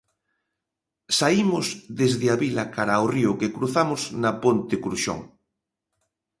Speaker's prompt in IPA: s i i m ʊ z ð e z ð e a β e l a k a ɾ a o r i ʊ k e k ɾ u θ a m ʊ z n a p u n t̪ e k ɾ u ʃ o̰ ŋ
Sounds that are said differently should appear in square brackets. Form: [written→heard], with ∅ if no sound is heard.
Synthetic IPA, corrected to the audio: s [i→a] i m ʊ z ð e z ð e a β [e→i] l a k a ɾ a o r i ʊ k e k ɾ u θ a m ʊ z n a p [u→o] n t̪ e k ɾ u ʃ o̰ ŋ